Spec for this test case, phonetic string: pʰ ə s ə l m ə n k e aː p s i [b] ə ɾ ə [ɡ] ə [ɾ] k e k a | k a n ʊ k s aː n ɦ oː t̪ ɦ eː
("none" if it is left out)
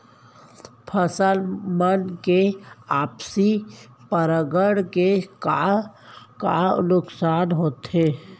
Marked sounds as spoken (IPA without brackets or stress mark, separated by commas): p, ɡ, ɽ